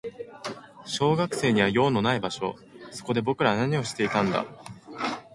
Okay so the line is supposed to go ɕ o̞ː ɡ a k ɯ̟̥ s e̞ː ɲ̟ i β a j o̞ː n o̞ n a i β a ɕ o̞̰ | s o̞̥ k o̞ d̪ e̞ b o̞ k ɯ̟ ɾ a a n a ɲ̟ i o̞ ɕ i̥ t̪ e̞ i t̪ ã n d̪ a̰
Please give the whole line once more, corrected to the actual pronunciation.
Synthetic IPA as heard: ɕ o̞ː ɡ a k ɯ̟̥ s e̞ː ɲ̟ i β a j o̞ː n o̞ n a i b a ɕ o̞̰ | s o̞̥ k o̞ d̪ e̞ b o̞ k ɯ̟ ɾ a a n a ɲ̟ i o̞ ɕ i̥ t̪ e̞ i t̪ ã n d̪ a̰